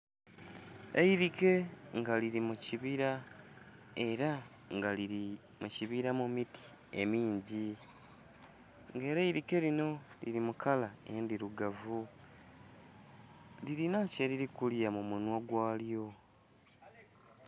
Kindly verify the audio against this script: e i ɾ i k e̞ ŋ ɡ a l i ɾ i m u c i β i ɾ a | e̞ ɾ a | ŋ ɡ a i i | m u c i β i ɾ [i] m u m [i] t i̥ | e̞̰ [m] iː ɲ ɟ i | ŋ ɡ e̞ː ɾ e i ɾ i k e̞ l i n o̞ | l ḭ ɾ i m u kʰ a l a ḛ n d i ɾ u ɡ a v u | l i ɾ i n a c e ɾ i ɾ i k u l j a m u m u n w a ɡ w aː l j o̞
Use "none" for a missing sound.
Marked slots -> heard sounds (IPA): a, i, m

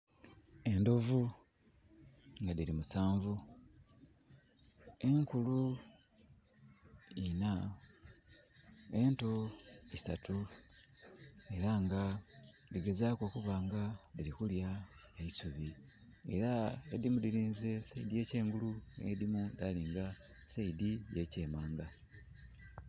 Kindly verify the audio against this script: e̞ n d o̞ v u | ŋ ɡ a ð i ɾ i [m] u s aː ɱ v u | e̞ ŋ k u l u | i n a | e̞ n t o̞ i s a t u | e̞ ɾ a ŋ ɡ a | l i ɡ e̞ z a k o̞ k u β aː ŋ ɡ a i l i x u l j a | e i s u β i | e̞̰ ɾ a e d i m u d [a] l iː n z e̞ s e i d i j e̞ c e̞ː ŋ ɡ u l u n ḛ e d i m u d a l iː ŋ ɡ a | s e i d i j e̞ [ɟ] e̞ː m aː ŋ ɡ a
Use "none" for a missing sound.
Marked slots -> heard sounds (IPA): m, i, c

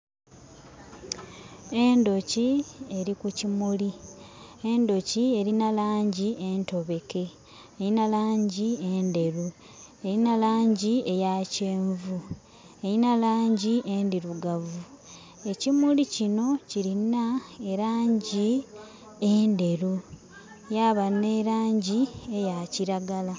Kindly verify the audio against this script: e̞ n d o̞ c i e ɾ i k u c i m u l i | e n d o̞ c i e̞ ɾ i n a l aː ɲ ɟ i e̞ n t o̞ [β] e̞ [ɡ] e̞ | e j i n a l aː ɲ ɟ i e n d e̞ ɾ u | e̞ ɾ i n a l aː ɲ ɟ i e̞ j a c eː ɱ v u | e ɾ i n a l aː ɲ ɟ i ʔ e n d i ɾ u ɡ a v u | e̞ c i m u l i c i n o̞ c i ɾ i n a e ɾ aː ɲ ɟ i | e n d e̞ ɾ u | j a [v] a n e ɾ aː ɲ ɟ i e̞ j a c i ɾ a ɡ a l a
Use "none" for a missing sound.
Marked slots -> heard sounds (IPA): β, k, β

